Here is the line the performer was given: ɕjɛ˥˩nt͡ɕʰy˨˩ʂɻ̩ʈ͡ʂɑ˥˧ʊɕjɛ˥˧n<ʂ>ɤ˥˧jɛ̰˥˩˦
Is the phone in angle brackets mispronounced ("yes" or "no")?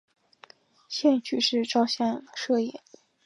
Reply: no